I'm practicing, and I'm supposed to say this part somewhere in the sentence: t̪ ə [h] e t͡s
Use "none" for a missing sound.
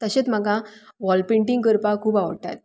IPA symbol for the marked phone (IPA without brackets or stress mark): ɕ